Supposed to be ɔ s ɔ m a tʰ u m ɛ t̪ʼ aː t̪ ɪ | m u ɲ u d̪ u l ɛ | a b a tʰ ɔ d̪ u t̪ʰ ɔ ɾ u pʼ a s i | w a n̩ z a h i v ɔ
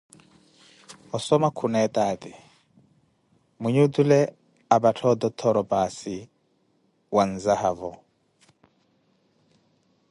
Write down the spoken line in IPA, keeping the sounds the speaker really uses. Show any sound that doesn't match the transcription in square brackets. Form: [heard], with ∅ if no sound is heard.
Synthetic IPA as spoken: ɔ s ɔ m a [kʰ] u [n] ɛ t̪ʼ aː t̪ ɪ | m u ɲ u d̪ u l ɛ | a b a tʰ ɔ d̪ [ɔ] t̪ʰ ɔ ɾ [ɔ] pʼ a s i | w a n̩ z a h [a] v ɔ